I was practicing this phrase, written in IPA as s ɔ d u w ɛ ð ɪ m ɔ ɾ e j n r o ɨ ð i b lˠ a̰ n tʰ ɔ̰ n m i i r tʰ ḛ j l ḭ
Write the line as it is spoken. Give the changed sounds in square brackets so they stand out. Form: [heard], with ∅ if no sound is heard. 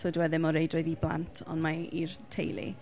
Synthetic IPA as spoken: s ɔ d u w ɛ ð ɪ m ɔ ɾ e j [d] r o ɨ ð i b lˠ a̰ n tʰ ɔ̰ n m [a] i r tʰ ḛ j l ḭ